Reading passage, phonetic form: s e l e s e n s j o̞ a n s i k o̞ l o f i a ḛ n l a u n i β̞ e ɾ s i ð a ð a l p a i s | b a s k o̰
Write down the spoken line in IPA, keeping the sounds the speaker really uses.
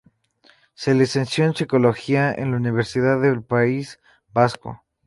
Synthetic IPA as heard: s e l e s e n s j o̞ e n s i k o̞ l o x i a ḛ n l a u n i β̞ e ɾ s i ð a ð e l p a i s | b a s k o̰

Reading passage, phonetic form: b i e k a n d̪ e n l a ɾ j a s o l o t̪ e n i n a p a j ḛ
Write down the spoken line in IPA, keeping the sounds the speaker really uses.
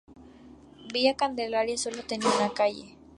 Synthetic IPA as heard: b i a k a n d̪ e l a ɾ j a s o l o t̪ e n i n a k a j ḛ

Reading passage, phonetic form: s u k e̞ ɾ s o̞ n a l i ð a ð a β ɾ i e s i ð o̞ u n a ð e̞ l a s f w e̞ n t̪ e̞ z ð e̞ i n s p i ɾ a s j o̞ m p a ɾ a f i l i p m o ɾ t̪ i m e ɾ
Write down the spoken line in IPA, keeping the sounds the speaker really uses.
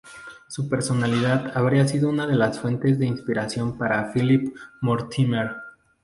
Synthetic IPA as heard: s u p e̞ ɾ s o̞ n a l i ð a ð a β ɾ i a s i ð o̞ u n a ð e̞ l a s f w e̞ n t̪ e̞ z ð e̞ i n s p i ɾ a s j o̞ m p a ɾ a f i l i p m o ɾ t̪ i m e ɾ

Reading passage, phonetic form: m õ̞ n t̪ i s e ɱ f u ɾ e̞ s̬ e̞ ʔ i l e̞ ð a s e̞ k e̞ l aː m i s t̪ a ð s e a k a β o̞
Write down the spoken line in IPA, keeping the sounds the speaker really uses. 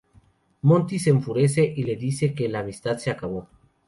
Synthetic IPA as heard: m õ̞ n t̪ i s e ɱ f u ɾ e̞ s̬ e̞ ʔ i l e̞ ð i s e̞ k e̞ l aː m i s t̪ a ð s e a k a β o̞

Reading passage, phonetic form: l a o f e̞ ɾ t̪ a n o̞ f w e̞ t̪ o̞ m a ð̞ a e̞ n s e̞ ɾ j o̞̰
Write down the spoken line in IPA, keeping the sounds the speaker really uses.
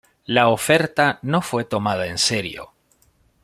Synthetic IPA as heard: l a o f e̞ ɾ t̪ a n o̞ f w e̞ t̪ o̞ m a ð̞ a e̞ n s e̞ ɾ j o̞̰

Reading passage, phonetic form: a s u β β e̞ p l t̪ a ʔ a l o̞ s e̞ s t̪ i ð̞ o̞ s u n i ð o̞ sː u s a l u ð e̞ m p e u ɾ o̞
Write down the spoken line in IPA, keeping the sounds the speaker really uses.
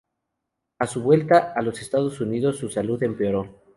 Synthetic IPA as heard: a s u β w e̞ l t̪ a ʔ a l o̞ s e̞ s t̪ a ð̞ o̞ s u n i ð o̞ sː u s a l u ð e̞ m p e o ɾ o̞

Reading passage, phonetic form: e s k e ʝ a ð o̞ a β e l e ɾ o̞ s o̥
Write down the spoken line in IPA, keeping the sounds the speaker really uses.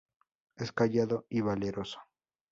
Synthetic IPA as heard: e s k a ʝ a ð o̞ i β a l e ɾ o̞ s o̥

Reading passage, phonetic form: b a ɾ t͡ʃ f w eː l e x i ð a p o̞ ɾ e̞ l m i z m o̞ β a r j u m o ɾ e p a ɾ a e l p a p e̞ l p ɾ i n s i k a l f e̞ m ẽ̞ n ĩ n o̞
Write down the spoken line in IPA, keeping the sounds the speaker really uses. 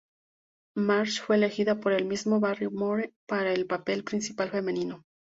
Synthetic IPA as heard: m a ɾ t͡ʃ f w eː l e x i ð a p o̞ ɾ e̞ l m i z m o̞ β a r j o m o ɾ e p a ɾ a e l p a p e̞ l p ɾ i n s i p a l f e̞ m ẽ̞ n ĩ n o̞

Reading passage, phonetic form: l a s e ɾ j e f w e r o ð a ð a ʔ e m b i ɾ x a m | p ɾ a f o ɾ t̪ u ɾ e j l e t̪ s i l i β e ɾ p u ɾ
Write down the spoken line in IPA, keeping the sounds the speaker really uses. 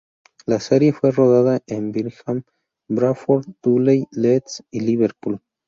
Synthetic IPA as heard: l a s e ɾ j e f w e r o ð a ð a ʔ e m b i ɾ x a m | b ɾ a f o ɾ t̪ u l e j l e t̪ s i l i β e ɾ p u l

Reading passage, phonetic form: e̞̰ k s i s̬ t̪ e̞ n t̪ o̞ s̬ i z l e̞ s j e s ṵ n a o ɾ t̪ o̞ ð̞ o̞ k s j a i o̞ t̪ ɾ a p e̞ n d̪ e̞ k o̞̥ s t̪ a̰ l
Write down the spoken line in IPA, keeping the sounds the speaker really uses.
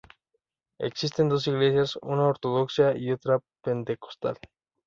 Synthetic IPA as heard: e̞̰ k s i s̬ t̪ e̞ n d̪ o̞ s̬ i ɣ l e̞ s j a s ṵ n a o ɾ t̪ o̞ ð̞ o̞ k s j a i o̞ t̪ ɾ a p e̞ n t̪ e̞ k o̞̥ s t̪ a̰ l

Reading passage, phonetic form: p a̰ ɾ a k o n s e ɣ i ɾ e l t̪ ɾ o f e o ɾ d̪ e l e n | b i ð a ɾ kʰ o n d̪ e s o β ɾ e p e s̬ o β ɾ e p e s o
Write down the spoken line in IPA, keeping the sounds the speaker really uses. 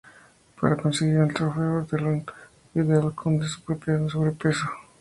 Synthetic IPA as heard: p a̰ ɾ a k o n s e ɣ i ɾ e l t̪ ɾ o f e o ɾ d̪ e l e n | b i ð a l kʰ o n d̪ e s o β ɾ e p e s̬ o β ɾ e p e s o

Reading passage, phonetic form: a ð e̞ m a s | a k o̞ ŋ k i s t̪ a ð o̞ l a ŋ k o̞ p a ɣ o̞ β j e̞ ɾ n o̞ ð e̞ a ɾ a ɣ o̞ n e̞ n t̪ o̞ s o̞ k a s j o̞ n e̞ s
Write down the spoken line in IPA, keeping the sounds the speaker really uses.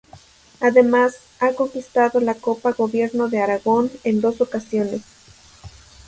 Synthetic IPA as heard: a ð e̞ m a s | a k o̞ ŋ k i s t̪ a ð o̞ l a k o̞ p a ɣ o̞ β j e̞ ɾ n o̞ ð e̞ a ɾ a ɣ o̞ n e̞ n d̪ o̞ s o̞ k a s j o̞ n e̞ s

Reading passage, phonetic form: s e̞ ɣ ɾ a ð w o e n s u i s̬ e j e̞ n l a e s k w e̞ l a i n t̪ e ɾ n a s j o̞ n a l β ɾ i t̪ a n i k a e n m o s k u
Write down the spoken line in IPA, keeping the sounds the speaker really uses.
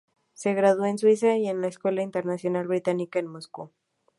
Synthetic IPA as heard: s e̞ ɣ ɾ a ð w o e n s w i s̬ a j e̞ n l a e s k w e̞ l a i n t̪ e ɾ n a s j o̞ n a l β ɾ i t̪ a n i k a e n m o s k u

